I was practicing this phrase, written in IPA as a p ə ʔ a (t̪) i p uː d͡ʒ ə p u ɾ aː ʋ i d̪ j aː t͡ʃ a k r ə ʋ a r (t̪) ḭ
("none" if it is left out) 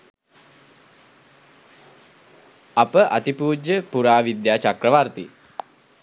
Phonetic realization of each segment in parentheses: t̪, t̪

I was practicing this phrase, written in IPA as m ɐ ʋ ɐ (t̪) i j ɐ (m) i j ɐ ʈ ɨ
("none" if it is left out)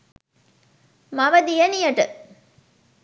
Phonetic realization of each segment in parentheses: d̪, n

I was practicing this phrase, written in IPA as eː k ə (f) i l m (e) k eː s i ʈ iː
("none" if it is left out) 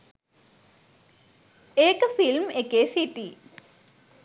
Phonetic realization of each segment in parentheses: f, e

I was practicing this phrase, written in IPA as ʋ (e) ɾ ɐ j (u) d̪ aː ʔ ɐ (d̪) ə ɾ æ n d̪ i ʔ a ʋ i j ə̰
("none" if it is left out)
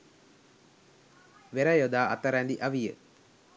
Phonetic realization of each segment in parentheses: e, o, t̪

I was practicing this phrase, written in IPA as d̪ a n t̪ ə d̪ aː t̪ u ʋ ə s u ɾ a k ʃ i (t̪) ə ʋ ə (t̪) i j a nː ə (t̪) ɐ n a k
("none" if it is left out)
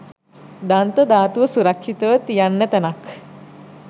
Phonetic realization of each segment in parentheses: t̪, t̪, t̪

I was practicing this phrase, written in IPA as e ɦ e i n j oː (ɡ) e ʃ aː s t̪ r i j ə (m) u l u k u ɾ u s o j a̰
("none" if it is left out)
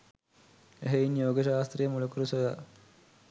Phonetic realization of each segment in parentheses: ɡ, m

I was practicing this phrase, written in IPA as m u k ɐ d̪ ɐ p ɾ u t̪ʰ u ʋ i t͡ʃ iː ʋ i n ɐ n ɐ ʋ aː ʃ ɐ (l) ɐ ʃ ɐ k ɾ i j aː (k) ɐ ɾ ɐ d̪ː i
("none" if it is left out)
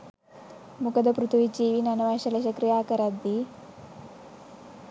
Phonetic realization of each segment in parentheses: l, k

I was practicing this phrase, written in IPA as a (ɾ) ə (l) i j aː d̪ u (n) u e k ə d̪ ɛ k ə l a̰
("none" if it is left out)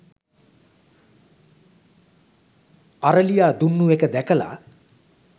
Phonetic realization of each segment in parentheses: ɾ, l, nː

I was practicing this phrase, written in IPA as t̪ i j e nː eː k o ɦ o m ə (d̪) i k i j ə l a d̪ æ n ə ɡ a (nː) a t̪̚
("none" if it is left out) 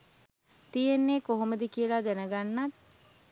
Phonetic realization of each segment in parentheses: d̪, nː

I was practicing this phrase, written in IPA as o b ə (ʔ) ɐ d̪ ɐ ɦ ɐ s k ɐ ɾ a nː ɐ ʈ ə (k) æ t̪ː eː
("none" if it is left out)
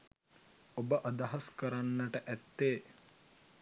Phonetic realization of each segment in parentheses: ʔ, ʔ

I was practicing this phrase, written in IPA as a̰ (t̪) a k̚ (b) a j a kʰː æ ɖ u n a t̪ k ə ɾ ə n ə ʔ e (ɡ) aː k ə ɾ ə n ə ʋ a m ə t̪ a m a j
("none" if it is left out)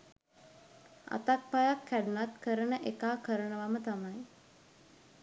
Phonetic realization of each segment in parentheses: t̪, p, k

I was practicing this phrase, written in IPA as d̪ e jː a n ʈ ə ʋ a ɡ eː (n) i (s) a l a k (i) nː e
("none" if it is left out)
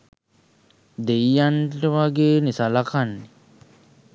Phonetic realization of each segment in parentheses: n, s, a

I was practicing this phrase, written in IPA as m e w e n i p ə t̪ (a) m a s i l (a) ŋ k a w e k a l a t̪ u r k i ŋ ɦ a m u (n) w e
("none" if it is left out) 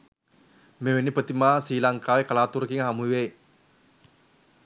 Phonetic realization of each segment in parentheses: i, a, none

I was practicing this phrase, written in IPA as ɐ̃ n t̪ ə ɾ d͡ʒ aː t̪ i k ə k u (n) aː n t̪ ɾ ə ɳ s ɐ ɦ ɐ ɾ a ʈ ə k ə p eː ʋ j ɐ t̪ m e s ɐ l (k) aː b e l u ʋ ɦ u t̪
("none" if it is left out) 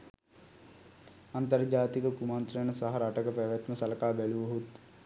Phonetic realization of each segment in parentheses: m, k

